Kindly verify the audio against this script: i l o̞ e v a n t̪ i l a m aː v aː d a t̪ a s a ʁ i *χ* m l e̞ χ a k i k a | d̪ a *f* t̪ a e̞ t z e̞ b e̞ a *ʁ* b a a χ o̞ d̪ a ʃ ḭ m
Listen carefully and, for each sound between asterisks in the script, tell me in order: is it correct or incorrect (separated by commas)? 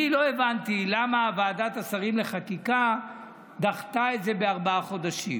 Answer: incorrect, incorrect, correct